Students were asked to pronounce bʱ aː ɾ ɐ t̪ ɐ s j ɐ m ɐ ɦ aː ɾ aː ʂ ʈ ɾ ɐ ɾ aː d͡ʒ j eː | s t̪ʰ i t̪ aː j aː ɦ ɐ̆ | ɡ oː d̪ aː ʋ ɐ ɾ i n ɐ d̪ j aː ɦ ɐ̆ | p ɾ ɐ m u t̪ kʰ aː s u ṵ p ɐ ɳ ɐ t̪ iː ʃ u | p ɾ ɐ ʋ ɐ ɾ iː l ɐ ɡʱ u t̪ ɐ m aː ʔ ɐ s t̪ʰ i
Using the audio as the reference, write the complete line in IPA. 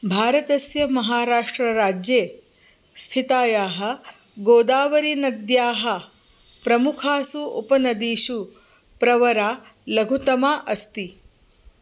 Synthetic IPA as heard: bʱ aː ɾ ɐ t̪ ɐ s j ɐ m ɐ ɦ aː ɾ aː ʂ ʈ ɾ ɐ ɾ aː d͡ʒ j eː | s t̪ʰ i t̪ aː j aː ɦ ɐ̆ | ɡ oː d̪ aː ʋ ɐ ɾ i n ɐ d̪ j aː ɦ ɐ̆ | p ɾ ɐ m u kʰ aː s u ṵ p ɐ n ɐ d̪ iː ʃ u | p ɾ ɐ ʋ ɐ ɾ aː l ɐ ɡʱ u t̪ ɐ m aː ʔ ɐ s t̪ i